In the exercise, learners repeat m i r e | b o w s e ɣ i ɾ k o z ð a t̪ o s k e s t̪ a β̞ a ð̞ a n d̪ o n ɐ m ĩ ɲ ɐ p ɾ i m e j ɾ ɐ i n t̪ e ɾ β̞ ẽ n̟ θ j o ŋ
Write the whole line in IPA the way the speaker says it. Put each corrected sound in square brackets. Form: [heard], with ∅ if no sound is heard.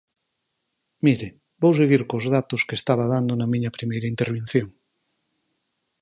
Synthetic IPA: m i [ɾ] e | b o w s e ɣ i ɾ k o z ð a t̪ o s k e s t̪ a β̞ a ð̞ a n d̪ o n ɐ m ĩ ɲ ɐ p ɾ i m e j ɾ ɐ i n t̪ e ɾ β̞ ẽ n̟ θ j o ŋ